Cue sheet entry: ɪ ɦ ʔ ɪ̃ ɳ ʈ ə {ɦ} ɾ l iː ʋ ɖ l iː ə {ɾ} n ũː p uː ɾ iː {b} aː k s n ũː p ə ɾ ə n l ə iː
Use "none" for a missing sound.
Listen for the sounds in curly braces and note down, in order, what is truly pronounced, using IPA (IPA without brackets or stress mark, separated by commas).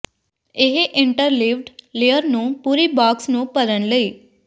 none, ɾ, b